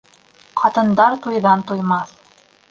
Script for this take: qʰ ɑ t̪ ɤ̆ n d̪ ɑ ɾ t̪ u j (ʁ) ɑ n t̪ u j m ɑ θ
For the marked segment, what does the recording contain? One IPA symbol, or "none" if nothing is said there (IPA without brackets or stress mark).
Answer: ð